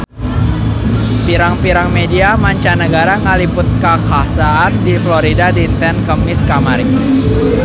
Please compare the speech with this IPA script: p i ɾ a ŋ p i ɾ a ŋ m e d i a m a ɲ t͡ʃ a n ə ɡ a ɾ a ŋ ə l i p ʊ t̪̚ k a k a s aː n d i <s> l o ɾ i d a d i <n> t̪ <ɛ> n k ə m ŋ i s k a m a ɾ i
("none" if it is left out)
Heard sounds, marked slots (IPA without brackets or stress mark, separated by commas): f, n, ɛ